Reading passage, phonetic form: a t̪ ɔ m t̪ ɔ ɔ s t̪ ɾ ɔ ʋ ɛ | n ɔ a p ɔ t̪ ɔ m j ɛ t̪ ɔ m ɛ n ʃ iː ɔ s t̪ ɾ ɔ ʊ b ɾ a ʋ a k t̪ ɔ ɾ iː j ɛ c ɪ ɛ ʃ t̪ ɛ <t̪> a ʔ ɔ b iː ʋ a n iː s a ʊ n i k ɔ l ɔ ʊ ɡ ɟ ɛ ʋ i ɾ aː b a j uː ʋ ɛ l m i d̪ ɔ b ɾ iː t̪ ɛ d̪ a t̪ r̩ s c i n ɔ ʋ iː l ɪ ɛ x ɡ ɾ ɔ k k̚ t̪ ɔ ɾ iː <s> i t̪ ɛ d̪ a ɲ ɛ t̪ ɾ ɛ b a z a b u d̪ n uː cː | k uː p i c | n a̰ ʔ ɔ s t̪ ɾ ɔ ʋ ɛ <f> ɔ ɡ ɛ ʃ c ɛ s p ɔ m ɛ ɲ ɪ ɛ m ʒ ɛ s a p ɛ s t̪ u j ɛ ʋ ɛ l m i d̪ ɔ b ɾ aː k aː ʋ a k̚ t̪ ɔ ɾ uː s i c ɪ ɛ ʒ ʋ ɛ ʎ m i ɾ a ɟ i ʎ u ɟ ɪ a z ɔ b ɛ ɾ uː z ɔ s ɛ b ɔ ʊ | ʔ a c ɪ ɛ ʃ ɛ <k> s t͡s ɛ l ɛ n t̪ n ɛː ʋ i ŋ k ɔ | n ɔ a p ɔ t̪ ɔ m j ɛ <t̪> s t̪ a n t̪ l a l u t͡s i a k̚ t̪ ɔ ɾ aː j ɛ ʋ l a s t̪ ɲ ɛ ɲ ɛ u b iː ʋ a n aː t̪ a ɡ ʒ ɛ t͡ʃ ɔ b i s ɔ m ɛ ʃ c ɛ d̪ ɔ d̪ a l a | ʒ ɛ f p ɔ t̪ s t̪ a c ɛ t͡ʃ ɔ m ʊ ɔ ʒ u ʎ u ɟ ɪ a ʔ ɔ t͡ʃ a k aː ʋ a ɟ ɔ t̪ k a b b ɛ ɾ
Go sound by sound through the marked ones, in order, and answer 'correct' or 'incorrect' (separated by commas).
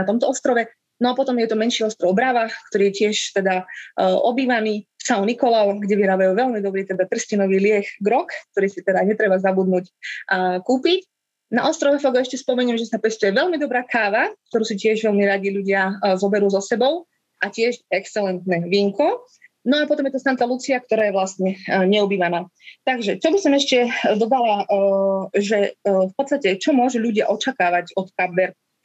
incorrect, correct, correct, correct, correct